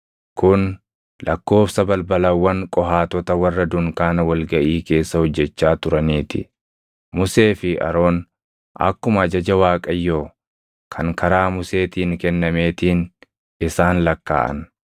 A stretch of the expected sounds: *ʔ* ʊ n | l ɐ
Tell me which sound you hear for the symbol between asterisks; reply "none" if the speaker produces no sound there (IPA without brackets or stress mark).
k